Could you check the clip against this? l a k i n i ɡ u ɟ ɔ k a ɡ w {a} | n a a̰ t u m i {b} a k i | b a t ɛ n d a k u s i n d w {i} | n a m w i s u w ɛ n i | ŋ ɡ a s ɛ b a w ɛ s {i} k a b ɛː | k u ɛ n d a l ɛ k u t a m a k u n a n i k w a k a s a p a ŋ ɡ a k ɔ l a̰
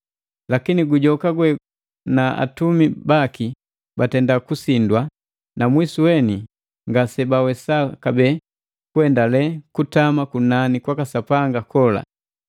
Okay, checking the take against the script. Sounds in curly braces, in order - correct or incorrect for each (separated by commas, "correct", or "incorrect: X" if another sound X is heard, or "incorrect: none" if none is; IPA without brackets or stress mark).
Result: incorrect: ɛ, correct, incorrect: a, incorrect: a